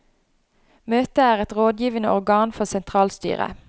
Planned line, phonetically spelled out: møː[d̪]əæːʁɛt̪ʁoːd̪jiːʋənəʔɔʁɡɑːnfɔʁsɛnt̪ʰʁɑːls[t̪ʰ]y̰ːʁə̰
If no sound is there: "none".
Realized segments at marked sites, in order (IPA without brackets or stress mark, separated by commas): t̪, t̪